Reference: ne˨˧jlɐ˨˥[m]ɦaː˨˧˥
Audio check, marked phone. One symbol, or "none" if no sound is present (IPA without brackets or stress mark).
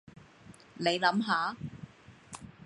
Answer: m